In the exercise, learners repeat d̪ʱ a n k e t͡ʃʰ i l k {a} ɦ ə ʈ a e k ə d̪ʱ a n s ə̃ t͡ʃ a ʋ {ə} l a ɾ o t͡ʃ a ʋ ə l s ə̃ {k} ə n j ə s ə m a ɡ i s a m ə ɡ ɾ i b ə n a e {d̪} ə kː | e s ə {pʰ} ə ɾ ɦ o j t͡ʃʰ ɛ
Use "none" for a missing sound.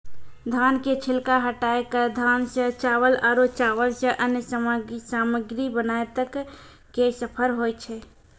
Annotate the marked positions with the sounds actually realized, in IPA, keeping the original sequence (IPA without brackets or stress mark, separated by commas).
a, ə, ʔ, t̪, pʰ